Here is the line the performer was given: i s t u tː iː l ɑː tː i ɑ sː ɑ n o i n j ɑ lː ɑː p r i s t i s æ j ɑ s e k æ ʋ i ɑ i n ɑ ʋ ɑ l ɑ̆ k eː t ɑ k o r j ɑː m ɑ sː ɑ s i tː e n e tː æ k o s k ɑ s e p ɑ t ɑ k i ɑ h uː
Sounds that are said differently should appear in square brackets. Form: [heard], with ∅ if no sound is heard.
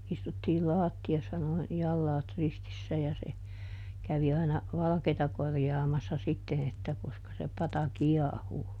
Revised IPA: i s t u tː iː l ɑː tː i ɑ sː ɑ n o i n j ɑ lː ɑː [t] r i s t i [sː] æ j ɑ s e k æ ʋ i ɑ i n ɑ ʋ ɑ l ɑ̆ k eː t ɑ k o r j ɑː m ɑ sː ɑ s i tː e n e tː æ k o s k ɑ s e p ɑ t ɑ k i ɑ h uː